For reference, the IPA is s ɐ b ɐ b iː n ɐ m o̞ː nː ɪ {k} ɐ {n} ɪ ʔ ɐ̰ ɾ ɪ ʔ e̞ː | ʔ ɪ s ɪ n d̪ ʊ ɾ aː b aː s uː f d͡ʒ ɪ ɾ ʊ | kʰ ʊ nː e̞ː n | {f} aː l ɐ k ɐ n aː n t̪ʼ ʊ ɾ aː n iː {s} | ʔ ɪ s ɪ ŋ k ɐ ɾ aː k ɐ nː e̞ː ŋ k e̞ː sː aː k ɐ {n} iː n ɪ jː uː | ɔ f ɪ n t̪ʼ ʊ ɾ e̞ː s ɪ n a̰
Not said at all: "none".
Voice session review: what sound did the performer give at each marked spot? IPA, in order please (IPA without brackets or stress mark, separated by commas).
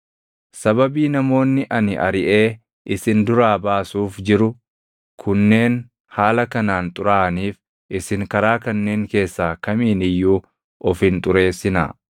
ʔ, n, h, f, m